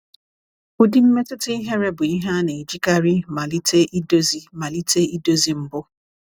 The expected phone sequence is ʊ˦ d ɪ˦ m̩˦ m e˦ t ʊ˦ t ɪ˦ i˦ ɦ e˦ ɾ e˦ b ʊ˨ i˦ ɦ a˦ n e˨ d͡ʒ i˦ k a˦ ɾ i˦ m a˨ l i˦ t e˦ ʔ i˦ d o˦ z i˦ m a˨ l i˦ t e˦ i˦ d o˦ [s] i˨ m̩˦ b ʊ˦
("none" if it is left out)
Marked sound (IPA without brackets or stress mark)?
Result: z